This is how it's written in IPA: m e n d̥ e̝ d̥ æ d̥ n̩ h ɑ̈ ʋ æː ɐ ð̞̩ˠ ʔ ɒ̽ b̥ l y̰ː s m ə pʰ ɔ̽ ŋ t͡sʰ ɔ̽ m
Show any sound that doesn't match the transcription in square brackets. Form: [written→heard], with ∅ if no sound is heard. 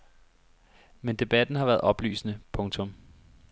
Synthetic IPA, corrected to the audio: m e n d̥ e̝ [d̥→b̥] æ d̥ n̩ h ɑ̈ ʋ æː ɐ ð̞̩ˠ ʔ ɒ̽ b̥ l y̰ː s [m→n] ə pʰ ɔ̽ ŋ t͡sʰ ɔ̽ m

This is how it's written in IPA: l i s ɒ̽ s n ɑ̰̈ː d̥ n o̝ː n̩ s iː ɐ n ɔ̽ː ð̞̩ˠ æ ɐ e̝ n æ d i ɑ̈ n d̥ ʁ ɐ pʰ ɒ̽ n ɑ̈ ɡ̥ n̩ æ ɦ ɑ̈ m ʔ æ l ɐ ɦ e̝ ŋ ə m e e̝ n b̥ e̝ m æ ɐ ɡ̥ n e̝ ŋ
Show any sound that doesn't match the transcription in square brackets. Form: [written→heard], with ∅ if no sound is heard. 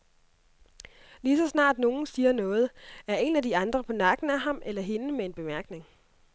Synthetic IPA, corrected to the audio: l i s ɒ̽ s n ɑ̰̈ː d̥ n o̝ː n̩ s iː ɐ n ɔ̽ː ð̞̩ˠ æ ɐ e̝ n æ d i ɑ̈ n d̥ ʁ ɐ pʰ ɒ̽ n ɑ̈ ɡ̥ n̩ æ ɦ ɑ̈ m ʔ [æ→e] l ɐ ɦ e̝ [ŋ→n] ə m e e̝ n b̥ e̝ m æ ɐ ɡ̥ n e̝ ŋ

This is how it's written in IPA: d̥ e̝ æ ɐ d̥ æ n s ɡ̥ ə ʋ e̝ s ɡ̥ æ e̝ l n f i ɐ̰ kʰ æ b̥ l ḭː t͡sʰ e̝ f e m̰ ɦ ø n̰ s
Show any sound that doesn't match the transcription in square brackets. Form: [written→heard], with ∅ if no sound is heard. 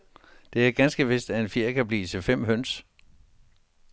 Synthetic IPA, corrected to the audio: d̥ e̝ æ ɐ [d̥→ɡ̥] æ n s ɡ̥ ə ʋ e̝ s [ɡ̥→d̥] æ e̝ [l→∅] n f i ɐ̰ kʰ æ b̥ l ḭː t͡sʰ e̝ f e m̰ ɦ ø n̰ s

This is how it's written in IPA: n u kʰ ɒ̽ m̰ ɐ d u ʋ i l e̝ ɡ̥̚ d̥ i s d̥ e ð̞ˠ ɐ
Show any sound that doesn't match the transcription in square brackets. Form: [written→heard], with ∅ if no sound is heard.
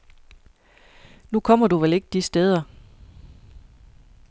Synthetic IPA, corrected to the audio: n u kʰ ɒ̽ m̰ ɐ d u ʋ [i→e] l e̝ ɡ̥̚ d̥ i s d̥ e ð̞ˠ ɐ

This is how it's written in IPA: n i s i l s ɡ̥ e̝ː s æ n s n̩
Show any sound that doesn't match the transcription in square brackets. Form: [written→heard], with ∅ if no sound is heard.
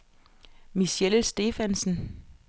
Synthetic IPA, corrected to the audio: [n→m] i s [i→e] l s [ɡ̥→d̥] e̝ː [s→f] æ n s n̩

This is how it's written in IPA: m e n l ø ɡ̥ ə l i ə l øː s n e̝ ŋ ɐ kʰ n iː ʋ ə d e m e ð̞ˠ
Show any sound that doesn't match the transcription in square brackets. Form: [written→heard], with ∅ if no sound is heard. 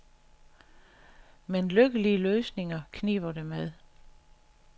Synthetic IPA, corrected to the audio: m e n l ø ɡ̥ ə l i ə l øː s n e̝ ŋ ɐ kʰ n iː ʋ [ə→ɐ] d e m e ð̞ˠ

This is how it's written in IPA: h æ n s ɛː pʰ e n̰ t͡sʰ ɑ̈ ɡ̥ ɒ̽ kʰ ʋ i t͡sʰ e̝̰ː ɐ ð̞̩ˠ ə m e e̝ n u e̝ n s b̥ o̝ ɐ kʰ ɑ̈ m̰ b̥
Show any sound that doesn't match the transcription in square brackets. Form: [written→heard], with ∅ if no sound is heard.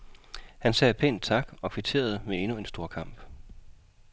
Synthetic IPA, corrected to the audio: h æ n s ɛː pʰ e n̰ t͡sʰ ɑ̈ ɡ̥ ɒ̽ kʰ ʋ i t͡sʰ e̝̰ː ɐ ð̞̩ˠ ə m e e̝ n u e̝ n s [b̥→d̥] o̝ ɐ kʰ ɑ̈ m̰ b̥

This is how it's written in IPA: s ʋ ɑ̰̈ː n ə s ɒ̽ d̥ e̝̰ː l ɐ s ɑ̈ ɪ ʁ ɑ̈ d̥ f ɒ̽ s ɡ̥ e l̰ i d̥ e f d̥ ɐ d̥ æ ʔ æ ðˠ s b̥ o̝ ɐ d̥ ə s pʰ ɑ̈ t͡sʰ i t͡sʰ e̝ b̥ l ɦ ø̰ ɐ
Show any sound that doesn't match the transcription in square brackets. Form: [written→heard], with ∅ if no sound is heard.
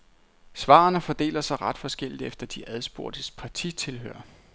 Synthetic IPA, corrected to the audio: s ʋ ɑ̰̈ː n ə [s→f] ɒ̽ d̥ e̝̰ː l ɐ s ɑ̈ ɪ ʁ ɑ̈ d̥ f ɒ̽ s ɡ̥ e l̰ i d̥ e f d̥ ɐ d̥ [æ→i] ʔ æ ðˠ s b̥ o̝ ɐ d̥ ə s pʰ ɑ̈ t͡sʰ i t͡sʰ e̝ [b̥→∅] l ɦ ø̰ ɐ

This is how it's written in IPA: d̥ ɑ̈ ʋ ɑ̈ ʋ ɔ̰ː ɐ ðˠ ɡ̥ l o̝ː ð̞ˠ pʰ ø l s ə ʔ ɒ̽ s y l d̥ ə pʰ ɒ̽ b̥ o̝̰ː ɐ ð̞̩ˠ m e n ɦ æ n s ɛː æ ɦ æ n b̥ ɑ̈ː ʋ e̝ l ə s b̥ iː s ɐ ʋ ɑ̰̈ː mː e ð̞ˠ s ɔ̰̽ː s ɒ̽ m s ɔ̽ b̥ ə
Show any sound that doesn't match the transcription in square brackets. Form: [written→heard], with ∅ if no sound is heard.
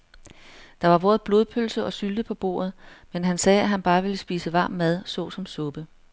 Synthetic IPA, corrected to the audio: d̥ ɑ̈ ʋ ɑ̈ ʋ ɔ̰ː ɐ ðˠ [ɡ̥→b̥] l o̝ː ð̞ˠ pʰ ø l s ə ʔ ɒ̽ s y l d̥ ə pʰ ɒ̽ b̥ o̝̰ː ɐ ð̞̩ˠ m e n ɦ æ n s ɛː æ ɦ æ n b̥ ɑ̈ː ʋ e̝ l ə s b̥ iː s [ɐ→ə] ʋ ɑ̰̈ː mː [e→æ] ð̞ˠ s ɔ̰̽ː s ɒ̽ m s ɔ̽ b̥ ə

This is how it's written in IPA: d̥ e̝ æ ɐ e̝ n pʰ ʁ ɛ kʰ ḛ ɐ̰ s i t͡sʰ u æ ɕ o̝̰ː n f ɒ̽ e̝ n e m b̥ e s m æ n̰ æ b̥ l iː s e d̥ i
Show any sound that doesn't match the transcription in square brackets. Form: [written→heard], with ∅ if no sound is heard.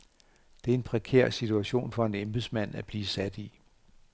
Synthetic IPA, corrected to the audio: d̥ e̝ æ ɐ e̝ n pʰ ʁ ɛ kʰ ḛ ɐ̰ s i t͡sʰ u æ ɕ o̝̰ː n f ɒ̽ e̝ n e m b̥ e s m æ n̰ æ b̥ l iː s [e→æ] d̥ i

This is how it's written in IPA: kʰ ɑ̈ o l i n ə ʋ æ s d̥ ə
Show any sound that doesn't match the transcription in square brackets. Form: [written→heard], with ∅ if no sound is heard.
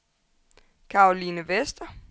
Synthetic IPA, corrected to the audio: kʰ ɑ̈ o l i n ə ʋ [æ→e] s d̥ [ə→ɐ]

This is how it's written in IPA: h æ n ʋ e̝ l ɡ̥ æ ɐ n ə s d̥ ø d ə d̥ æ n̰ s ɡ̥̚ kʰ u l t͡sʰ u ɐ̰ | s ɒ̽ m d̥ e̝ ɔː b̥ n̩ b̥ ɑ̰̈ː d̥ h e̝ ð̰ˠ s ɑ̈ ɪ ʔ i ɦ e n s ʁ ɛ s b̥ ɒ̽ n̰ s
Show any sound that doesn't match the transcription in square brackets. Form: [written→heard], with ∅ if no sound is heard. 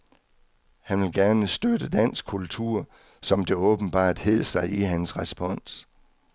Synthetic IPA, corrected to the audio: h æ n ʋ e̝ l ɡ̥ æ ɐ n ə s d̥ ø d ə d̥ æ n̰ s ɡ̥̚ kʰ u l t͡sʰ u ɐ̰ | s ɒ̽ m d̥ e̝ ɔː b̥ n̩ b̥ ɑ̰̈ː d̥ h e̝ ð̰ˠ s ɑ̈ ɪ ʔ i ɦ [e→æ] n s ʁ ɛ s b̥ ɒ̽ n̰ s

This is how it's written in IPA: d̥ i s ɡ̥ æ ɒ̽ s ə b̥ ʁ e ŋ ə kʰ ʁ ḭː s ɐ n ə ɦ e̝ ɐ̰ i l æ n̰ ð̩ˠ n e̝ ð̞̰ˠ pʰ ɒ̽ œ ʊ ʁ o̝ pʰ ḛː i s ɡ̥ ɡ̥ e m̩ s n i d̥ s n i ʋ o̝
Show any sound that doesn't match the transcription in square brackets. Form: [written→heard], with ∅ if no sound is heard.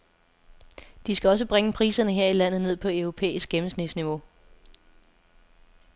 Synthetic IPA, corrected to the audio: d̥ i s ɡ̥ æ ɒ̽ s ə b̥ ʁ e ŋ ə [kʰ→pʰ] ʁ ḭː s ɐ n ə ɦ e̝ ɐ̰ i l æ n̰ ð̩ˠ n e̝ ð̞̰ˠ pʰ ɒ̽ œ ʊ ʁ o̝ pʰ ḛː i s ɡ̥ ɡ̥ e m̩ s n i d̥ s n i ʋ o̝

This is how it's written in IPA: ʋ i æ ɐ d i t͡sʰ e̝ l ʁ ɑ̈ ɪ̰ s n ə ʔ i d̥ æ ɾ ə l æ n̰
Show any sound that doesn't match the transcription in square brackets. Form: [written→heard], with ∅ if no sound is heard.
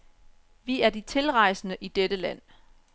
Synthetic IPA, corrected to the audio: ʋ i æ ɐ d i t͡sʰ e̝ l ʁ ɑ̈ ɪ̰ s n ə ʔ i d̥ [æ→e] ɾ ə l æ n̰

